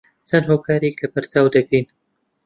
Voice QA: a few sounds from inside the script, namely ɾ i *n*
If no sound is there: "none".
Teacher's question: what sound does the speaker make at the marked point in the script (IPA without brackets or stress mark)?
n